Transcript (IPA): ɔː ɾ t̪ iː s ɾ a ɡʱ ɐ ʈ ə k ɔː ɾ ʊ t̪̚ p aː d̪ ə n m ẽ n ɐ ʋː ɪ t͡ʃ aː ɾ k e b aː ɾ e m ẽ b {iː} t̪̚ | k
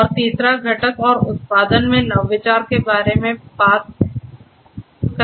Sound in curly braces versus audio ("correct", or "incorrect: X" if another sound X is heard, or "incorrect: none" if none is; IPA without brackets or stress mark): incorrect: aː